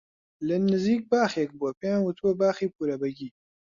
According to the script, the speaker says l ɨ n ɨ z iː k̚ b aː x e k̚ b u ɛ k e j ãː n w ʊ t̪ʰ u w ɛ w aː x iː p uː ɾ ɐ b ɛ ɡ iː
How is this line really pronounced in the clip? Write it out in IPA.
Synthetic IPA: l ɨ n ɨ z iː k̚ b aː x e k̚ b u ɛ p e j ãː n w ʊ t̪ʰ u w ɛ b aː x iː p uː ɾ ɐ b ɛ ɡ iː